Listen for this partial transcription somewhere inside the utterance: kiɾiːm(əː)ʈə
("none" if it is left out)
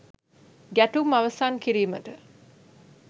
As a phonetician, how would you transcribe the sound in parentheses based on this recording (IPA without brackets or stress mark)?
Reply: ə